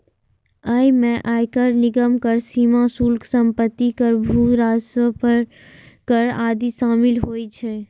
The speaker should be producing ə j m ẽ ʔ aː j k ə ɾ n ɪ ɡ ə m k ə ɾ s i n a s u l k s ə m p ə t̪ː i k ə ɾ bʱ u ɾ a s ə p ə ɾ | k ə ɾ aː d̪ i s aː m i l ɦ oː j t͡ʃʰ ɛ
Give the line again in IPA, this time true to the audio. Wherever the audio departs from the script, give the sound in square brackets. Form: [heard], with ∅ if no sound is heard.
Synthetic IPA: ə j m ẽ ʔ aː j k ə ɾ n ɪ ɡ ə m k ə ɾ s i [m] a s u l k s ə m p ə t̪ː i k ə ɾ bʱ u ɾ a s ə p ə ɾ | k ə ɾ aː d̪ i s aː m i l ɦ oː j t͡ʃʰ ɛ